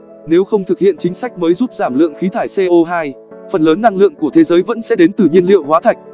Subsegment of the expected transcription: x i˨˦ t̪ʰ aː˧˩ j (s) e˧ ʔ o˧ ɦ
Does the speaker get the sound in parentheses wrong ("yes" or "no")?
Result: no